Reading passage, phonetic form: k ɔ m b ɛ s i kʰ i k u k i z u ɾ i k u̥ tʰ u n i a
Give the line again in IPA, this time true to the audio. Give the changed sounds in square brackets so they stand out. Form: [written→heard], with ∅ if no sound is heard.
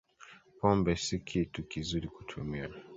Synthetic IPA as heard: [k→p] ɔ m b ɛ s i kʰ i [k→t] u k i z u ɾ i k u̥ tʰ u [n→m] i a

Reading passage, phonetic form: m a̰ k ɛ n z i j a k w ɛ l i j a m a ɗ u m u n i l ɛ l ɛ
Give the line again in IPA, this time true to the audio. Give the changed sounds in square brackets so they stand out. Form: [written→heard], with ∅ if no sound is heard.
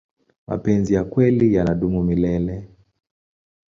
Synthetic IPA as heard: m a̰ [k→p] ɛ n z i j a k w ɛ l i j a [m→n] a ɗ u m u [n→m] i l ɛ l ɛ

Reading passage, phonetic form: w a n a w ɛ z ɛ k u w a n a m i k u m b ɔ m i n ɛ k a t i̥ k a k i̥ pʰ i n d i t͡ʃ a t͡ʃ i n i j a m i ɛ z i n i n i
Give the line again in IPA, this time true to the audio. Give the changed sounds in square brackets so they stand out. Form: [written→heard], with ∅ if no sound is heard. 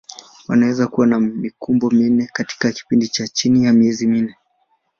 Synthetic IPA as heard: w a n a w ɛ z [ɛ→a] k u w a n a m i k u m b ɔ m i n ɛ k a t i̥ k a k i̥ [pʰ→p] i n d i t͡ʃ a t͡ʃ i n i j a m i ɛ z i [n→m] i n [i→ɛ]

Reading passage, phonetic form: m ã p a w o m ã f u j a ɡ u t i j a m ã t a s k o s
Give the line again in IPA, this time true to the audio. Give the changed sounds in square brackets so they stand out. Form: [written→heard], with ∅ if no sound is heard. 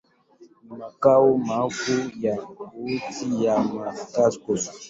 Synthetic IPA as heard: m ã [p→k] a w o m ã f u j a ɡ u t i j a m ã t a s k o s

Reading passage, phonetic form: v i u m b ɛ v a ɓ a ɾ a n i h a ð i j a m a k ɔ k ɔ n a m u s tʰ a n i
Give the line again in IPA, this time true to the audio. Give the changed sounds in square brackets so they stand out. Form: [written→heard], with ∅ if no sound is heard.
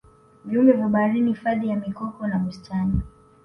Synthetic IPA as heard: v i u m b ɛ v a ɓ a ɾ [a→i] n i [h→f] a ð i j a m [a→i] k ɔ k ɔ n a m u s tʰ a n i

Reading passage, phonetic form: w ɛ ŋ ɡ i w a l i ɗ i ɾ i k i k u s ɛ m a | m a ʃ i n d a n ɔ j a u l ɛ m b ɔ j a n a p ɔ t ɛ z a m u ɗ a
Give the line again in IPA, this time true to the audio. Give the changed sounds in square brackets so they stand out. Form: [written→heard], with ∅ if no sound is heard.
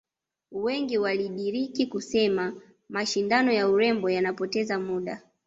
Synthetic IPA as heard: w ɛ ŋ ɡ i w a l i ɗ i ɾ i k i k u s ɛ m a | m a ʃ i n d a n ɔ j a u [l→ɾ] ɛ m b ɔ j a n a p ɔ t ɛ z a m u ɗ a

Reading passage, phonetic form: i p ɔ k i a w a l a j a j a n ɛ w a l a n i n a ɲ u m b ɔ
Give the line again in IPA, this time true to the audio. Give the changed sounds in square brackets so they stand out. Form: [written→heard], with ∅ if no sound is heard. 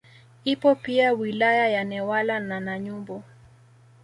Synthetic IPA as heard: i p ɔ [k→p] i a w [a→i] l a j a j a n ɛ w a l a n [i→a] n a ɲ u m b ɔ

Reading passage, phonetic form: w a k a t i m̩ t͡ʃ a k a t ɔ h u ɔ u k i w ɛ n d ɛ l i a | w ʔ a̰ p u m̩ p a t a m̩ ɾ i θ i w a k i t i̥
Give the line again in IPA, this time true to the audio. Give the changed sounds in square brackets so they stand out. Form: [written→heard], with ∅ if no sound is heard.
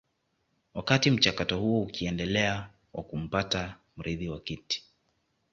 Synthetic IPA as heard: w a k a t i m̩ t͡ʃ a k a t ɔ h u ɔ u k i [w→∅] ɛ n d ɛ l [i→ɛ] a | w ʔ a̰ [p→k] u m̩ p a t a m̩ ɾ i [θ→ð] i w a k i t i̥

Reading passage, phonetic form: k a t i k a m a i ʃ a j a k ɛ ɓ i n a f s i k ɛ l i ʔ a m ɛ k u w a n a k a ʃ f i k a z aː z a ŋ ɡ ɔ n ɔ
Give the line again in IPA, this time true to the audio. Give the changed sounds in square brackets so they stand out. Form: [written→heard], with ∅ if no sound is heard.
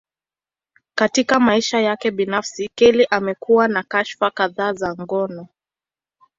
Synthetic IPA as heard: k a t i k a m a i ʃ a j a k ɛ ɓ i n a f s i k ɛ l i ʔ a m ɛ k u w a n a k a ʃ f [i→a] k a [z→ð] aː z a ŋ ɡ ɔ n ɔ

